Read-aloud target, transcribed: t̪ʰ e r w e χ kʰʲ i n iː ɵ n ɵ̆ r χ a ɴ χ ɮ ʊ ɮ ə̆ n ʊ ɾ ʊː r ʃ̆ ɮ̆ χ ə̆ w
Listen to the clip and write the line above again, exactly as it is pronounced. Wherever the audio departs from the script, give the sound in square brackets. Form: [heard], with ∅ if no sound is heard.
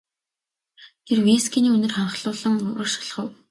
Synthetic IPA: t̪ʰ e r w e [s] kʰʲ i n iː ɵ n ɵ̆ r χ a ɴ χ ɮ [ʊː] ɮ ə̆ [ŋ] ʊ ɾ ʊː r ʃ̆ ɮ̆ χ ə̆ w